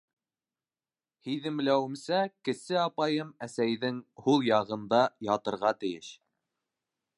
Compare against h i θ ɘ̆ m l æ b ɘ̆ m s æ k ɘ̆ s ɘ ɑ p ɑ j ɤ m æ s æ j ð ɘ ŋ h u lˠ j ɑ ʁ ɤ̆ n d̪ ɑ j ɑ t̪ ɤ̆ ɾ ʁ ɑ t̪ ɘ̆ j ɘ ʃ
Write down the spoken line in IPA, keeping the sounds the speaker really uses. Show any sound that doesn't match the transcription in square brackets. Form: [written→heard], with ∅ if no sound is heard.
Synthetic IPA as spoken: h i [θ→ð] ɘ̆ m l æ [b→w] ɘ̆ m s æ k ɘ̆ s ɘ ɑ p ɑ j ɤ m æ s æ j ð ɘ ŋ h u lˠ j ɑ ʁ ɤ̆ n d̪ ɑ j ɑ t̪ ɤ̆ ɾ ʁ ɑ t̪ ɘ̆ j ɘ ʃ

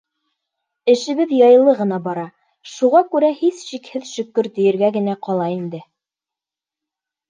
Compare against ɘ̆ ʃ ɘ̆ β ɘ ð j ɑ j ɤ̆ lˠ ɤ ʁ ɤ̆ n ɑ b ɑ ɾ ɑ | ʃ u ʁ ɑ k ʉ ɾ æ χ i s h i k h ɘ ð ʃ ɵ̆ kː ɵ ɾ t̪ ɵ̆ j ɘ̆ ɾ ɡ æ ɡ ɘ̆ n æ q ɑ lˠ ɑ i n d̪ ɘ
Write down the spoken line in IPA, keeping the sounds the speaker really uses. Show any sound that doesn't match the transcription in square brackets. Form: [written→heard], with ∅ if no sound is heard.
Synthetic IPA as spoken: ɘ̆ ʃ ɘ̆ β ɘ ð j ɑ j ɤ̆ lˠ ɤ ʁ ɤ̆ n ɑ b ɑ ɾ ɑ | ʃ u ʁ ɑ k ʉ ɾ æ [χ→h] i s [h→ʃ] i k h ɘ ð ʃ ɵ̆ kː ɵ ɾ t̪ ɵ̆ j ɘ̆ ɾ ɡ æ ɡ ɘ̆ n æ q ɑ lˠ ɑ i n d̪ ɘ

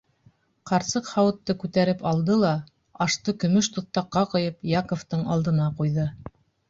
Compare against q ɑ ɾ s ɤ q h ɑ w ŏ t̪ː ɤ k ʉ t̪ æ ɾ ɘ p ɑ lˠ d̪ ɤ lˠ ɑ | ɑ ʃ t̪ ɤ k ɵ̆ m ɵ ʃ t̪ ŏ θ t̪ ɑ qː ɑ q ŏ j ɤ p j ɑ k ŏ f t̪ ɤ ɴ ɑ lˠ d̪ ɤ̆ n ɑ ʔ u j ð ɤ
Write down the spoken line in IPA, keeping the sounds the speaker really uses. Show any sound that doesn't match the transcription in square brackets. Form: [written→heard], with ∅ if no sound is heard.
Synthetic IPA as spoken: q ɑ ɾ s ɤ q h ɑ w [ŏ→ɤ̆] t̪ː ɤ k ʉ t̪ æ ɾ ɘ p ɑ lˠ d̪ ɤ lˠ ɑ | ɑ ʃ t̪ ɤ k ɵ̆ m ɵ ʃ t̪ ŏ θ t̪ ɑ qː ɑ q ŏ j ɤ p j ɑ k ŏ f t̪ ɤ ɴ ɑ lˠ d̪ ɤ̆ n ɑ [ʔ→q] u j ð ɤ

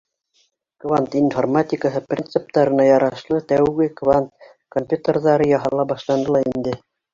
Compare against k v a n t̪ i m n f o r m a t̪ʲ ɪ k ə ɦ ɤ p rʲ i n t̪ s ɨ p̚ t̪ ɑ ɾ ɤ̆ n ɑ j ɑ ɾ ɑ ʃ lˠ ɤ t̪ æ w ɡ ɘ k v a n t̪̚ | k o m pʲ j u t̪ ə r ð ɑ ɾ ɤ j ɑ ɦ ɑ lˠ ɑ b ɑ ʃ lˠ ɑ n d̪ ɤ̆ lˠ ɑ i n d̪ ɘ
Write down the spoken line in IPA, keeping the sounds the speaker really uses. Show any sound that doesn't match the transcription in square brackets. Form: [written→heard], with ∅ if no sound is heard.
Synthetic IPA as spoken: k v a n t̪ i [m→∅] n f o r m a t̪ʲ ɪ k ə ɦ ɤ p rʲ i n t̪ s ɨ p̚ t̪ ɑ ɾ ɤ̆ n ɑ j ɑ ɾ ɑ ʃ lˠ ɤ t̪ æ w ɡ ɘ k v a n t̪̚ | k o m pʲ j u t̪ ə r ð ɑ ɾ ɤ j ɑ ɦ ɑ lˠ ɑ b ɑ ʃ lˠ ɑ n d̪ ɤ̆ lˠ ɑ i n d̪ ɘ

